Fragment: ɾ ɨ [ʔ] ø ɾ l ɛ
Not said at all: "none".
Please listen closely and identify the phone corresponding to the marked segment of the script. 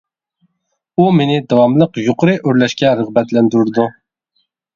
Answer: ʔ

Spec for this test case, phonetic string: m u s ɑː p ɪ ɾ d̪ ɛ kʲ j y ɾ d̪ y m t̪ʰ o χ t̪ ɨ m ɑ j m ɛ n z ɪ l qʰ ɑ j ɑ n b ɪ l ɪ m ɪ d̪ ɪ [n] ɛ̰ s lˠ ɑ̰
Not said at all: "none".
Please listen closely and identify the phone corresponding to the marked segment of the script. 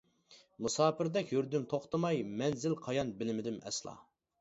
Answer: m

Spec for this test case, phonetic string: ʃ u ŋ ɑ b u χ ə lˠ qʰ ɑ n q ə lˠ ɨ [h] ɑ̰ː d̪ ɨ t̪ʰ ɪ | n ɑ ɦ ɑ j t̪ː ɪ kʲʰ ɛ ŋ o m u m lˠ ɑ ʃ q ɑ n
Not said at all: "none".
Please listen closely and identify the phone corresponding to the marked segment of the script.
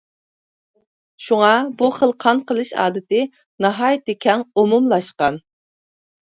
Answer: ʃ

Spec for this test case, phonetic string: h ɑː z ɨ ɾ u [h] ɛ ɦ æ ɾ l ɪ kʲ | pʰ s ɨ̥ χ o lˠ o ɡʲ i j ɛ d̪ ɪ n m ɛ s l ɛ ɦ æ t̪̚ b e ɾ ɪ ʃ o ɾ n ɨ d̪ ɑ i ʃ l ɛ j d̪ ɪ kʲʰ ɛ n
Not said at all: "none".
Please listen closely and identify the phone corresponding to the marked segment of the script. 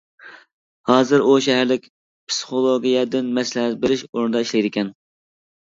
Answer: ʃ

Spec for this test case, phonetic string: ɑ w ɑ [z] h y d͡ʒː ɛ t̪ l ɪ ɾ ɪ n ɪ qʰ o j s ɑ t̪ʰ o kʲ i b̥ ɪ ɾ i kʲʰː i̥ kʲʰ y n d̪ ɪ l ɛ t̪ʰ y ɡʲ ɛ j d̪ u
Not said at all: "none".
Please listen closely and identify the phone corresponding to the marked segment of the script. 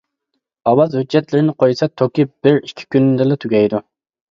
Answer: z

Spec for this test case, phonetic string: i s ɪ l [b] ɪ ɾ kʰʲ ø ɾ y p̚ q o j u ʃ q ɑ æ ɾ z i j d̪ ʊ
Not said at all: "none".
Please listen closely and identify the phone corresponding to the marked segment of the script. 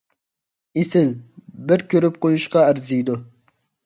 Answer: b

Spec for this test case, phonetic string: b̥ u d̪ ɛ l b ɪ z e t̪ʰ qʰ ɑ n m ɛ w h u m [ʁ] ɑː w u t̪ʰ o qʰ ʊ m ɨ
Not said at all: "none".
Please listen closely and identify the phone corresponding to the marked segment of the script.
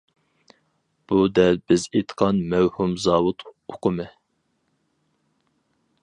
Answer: z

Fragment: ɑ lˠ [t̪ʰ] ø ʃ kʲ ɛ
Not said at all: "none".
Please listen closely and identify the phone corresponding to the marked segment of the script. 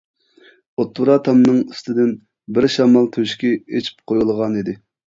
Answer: t̪ʰ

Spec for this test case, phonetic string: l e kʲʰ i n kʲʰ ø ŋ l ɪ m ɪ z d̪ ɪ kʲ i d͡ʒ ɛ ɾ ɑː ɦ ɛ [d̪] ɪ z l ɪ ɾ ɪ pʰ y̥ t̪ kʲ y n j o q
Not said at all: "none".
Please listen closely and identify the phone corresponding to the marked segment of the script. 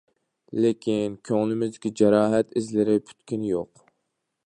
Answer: t̪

